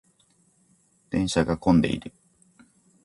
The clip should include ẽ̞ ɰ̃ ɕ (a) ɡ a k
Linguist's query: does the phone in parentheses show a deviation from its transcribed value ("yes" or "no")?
no